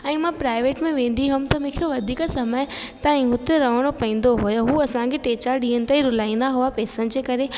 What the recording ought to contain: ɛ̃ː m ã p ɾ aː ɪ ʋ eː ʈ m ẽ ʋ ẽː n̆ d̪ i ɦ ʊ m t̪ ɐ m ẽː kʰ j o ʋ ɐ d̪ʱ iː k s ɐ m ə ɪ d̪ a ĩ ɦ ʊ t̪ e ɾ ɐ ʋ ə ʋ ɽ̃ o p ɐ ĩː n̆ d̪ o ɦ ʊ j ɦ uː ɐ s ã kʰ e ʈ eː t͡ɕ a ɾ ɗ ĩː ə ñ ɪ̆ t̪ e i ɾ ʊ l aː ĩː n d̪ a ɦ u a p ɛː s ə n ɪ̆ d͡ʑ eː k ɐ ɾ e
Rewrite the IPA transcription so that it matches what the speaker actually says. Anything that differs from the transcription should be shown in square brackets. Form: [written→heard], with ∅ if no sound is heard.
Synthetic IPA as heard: ɛ̃ː m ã p ɾ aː ɪ ʋ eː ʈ m ẽ ʋ ẽː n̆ d̪ i ɦ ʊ m t̪ ɐ m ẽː kʰ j o ʋ ɐ d̪ʱ iː k s ɐ m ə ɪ [d̪→t̪] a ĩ ɦ ʊ t̪ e ɾ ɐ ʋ ə [ʋ→∅] ɽ̃ o p ɐ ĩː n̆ d̪ o ɦ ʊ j ɦ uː ɐ s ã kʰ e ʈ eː t͡ɕ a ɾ ɗ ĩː ə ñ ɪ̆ t̪ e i ɾ ʊ l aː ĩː n d̪ a ɦ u a p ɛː s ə n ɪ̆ d͡ʑ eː k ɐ ɾ e

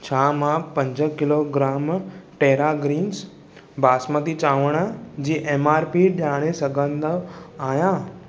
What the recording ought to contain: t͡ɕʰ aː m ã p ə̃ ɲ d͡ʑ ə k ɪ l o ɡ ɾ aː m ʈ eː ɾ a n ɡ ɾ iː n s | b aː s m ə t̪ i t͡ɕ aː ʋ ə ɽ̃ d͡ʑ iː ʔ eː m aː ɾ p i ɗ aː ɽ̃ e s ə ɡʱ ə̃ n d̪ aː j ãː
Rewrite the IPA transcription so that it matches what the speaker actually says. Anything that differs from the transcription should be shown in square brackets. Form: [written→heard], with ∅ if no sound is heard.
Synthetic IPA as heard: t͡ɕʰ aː m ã p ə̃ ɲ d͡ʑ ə k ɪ l o ɡ ɾ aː m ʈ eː ɾ a [n→∅] ɡ ɾ iː n s | b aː s m ə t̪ i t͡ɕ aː ʋ ə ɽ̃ d͡ʑ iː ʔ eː m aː ɾ p i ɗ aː ɽ̃ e s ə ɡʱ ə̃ n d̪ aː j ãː

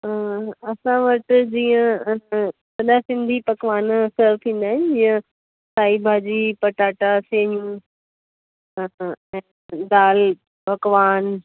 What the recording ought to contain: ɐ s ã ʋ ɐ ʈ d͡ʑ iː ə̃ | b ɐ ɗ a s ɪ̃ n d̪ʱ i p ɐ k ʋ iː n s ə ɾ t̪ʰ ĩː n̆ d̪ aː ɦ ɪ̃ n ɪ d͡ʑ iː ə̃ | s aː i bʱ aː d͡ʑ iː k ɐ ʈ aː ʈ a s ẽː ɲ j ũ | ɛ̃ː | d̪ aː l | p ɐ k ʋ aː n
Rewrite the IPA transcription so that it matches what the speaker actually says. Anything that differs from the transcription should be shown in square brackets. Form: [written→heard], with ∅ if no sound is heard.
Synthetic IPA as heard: ɐ s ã ʋ ɐ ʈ d͡ʑ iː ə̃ | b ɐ ɗ a s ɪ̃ n d̪ʱ i p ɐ k ʋ [iː→aː] n s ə ɾ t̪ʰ ĩː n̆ d̪ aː ɦ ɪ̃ n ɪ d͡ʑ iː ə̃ | s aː i bʱ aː d͡ʑ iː [k→p] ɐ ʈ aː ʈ a s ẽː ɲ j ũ | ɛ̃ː | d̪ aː l | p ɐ k ʋ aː n

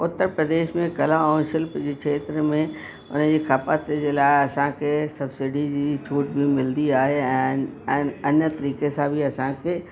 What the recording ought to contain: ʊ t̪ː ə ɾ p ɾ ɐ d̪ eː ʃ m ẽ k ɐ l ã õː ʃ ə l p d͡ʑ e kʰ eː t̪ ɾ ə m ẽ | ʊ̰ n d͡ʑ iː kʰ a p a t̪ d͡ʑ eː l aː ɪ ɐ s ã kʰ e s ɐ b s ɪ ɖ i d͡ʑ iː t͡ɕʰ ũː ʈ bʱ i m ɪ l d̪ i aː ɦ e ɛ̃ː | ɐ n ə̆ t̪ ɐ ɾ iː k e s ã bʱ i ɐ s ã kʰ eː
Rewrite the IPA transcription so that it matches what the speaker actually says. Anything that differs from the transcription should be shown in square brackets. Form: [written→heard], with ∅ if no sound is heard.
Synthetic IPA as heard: ʊ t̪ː ə ɾ p ɾ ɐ d̪ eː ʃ m ẽ k ɐ l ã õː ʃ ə l p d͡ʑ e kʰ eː t̪ ɾ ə m ẽ | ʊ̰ n d͡ʑ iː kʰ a p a t̪ d͡ʑ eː l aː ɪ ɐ s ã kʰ e s ɐ b s ɪ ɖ i d͡ʑ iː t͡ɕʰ [ũː→uː] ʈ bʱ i m ɪ l d̪ i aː ɦ e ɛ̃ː | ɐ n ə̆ t̪ ɐ ɾ iː k e s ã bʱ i ɐ s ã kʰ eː

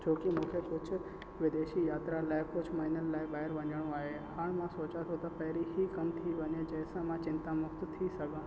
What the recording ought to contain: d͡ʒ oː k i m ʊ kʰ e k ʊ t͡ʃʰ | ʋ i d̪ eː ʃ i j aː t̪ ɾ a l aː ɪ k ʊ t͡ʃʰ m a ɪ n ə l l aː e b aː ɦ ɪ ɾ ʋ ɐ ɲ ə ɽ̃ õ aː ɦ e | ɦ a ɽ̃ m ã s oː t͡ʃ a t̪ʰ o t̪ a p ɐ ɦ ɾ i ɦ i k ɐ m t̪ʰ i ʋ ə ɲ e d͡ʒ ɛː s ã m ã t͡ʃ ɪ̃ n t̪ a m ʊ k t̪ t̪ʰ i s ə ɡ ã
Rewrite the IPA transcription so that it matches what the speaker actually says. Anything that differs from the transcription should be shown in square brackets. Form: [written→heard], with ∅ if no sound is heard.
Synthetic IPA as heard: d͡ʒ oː k i m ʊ kʰ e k ʊ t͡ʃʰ | ʋ [i→ɪ] d̪ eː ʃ i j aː t̪ ɾ a l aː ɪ k ʊ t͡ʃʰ m a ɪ n ə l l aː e b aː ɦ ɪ ɾ ʋ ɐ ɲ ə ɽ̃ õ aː ɦ e | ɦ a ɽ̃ m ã s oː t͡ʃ a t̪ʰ o t̪ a p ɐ ɦ ɾ i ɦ i k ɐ m t̪ʰ i ʋ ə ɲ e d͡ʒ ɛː s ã m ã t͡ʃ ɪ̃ n t̪ a m ʊ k t̪ t̪ʰ i s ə ɡ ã

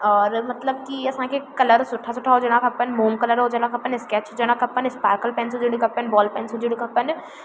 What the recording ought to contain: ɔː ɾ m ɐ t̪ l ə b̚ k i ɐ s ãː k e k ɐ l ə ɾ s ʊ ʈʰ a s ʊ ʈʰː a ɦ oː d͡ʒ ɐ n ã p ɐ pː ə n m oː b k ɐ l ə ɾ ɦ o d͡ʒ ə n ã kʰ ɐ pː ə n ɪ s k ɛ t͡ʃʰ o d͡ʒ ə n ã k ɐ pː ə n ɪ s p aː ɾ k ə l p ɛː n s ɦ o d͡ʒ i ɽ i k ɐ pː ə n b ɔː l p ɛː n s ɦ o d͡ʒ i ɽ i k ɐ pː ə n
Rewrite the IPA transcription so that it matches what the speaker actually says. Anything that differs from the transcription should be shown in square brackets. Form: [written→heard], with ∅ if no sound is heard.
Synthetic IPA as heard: ɔː ɾ m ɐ t̪ l ə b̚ k i ɐ s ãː k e k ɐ l ə ɾ s ʊ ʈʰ a s ʊ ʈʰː a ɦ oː d͡ʒ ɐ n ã [p→k] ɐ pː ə n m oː [b→m] k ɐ l ə ɾ ɦ o d͡ʒ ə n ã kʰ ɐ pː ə n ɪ s k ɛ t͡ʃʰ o d͡ʒ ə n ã k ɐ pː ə n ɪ s p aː ɾ k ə l p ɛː n s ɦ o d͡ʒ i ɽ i k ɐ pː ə n b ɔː l p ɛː n s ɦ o d͡ʒ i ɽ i k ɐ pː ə n

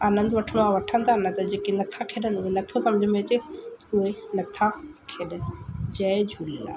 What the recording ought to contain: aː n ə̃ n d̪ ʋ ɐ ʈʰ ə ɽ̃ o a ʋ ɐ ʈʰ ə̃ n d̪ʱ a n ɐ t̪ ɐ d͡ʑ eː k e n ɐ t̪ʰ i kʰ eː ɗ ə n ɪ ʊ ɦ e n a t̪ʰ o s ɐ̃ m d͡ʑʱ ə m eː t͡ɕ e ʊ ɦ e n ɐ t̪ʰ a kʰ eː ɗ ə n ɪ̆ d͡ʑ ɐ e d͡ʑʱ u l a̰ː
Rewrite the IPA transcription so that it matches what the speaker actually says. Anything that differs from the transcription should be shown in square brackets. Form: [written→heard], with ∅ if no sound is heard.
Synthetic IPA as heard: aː n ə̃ n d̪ ʋ ɐ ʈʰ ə ɽ̃ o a ʋ ɐ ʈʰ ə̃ n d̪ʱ a n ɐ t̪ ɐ d͡ʑ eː k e n ɐ t̪ʰ [i→a] kʰ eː ɗ ə n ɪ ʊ ɦ e n [a→ɐ] t̪ʰ o s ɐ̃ m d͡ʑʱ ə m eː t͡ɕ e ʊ ɦ e n ɐ t̪ʰ a kʰ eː ɗ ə n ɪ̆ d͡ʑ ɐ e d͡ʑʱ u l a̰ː

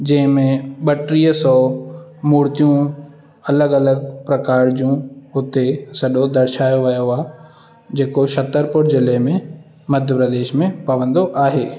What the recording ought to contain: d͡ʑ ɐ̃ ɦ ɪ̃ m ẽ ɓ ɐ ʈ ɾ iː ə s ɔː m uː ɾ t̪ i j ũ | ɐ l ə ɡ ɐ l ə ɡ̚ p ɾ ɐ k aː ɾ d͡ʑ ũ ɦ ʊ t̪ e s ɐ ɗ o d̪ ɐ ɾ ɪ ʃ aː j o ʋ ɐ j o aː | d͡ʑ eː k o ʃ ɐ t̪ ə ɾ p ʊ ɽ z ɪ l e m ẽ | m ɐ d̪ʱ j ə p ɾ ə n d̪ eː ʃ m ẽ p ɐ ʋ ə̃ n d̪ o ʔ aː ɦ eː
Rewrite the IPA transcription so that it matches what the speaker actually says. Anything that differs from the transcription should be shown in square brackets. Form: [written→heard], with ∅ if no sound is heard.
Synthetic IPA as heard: d͡ʑ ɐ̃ ɦ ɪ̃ m ẽ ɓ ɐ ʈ ɾ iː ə s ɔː m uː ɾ t̪ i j ũ | ɐ l ə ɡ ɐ l ə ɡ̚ p ɾ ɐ k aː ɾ d͡ʑ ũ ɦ ʊ t̪ e s ɐ ɗ o d̪ ɐ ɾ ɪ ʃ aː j o ʋ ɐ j o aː | d͡ʑ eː k o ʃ ɐ t̪ ə ɾ p ʊ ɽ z ɪ l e m ẽ | m ɐ d̪ʱ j ə p ɾ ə [n→∅] d̪ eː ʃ m ẽ p ɐ ʋ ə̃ n d̪ o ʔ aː ɦ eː

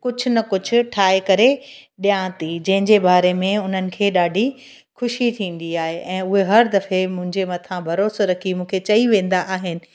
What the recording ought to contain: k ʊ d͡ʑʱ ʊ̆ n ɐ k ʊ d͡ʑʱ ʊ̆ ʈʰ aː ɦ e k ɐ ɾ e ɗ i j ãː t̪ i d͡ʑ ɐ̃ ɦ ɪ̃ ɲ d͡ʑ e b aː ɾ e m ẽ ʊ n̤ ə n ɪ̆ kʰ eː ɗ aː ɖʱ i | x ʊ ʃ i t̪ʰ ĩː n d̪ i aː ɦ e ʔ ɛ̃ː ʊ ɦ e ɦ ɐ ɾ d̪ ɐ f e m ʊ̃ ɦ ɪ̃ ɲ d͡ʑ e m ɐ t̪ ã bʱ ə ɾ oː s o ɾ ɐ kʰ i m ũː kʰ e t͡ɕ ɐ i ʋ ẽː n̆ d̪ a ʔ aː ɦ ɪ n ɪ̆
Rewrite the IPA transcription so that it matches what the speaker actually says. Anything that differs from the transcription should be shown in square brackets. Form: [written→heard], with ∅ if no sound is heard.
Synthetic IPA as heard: k ʊ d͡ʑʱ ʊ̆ n ɐ k ʊ d͡ʑʱ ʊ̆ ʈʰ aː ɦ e k ɐ ɾ e ɗ i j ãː t̪ i d͡ʑ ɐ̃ ɦ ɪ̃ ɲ d͡ʑ e b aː ɾ e m ẽ ʊ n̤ ə n ɪ̆ kʰ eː ɗ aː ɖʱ i | x ʊ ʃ i t̪ʰ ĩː n d̪ i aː ɦ e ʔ ɛ̃ː ʊ ɦ e ɦ ɐ ɾ d̪ ɐ f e m ʊ̃ ɦ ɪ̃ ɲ d͡ʑ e m ɐ [t̪→t̪ʰ] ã bʱ [ə→ɐ] ɾ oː s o ɾ ɐ kʰ i m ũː kʰ e t͡ɕ ɐ i ʋ ẽː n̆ d̪ a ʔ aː ɦ ɪ n ɪ̆

